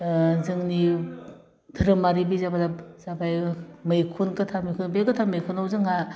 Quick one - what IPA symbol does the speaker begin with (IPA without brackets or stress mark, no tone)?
z